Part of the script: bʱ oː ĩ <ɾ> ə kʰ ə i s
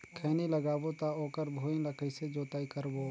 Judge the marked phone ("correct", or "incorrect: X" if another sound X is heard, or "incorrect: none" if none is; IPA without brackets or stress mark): incorrect: l